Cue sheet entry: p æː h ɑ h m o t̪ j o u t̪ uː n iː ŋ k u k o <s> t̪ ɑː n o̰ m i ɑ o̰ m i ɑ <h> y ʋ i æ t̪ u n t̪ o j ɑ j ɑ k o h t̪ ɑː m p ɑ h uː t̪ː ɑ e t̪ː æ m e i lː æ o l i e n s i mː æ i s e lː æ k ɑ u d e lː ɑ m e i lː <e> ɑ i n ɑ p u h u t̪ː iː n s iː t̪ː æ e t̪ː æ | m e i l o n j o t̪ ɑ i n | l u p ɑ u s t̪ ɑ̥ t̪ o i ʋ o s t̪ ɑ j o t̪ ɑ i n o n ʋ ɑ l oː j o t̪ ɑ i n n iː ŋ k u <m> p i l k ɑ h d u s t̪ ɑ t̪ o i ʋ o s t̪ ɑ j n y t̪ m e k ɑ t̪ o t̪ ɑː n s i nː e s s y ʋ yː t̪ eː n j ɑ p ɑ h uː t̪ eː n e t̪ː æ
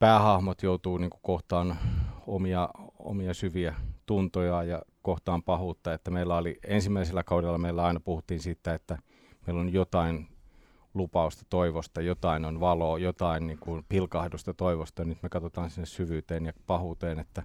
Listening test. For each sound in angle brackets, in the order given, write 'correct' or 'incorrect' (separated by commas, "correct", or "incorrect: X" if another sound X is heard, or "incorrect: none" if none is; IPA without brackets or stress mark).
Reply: incorrect: h, incorrect: s, incorrect: æ, incorrect: n